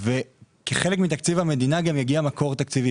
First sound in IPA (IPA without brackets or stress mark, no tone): v